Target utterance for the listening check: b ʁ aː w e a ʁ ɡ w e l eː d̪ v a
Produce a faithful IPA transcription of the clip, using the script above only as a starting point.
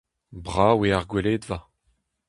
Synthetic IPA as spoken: b ʁ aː w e a ʁ ɡ w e l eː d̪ v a

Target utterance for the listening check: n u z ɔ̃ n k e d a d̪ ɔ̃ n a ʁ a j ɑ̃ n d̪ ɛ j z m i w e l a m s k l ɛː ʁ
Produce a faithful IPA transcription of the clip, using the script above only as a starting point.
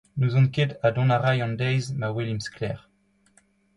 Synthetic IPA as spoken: n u z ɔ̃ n k e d a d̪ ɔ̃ n a ʁ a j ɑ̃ n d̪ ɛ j z m a w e l i m s k l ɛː ʁ

